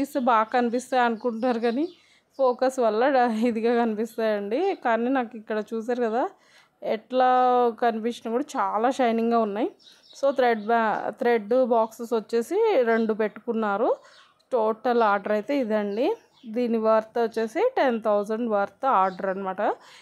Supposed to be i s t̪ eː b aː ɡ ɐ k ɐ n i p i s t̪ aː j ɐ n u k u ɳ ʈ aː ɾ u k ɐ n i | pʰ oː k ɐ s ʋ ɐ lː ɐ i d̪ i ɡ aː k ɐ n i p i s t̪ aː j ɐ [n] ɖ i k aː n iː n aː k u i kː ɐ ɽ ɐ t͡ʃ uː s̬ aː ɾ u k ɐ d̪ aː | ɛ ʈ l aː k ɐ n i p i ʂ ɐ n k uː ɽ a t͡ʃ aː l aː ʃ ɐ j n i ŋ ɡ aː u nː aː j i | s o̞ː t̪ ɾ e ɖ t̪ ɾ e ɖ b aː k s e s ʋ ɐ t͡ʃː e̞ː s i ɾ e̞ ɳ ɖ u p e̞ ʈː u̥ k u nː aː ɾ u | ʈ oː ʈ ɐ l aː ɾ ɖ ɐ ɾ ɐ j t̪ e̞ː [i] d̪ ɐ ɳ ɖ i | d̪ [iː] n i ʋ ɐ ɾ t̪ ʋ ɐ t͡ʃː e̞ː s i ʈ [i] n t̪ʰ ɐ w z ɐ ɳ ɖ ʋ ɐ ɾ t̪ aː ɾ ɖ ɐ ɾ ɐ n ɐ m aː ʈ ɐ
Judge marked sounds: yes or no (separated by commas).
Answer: no, yes, yes, no